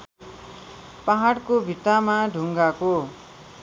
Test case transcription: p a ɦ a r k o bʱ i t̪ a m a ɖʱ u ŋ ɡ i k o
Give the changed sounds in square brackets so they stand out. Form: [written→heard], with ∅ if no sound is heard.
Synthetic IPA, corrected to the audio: p a ɦ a [r→ɽ] k o bʱ i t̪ a m a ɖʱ u ŋ ɡ [i→a] k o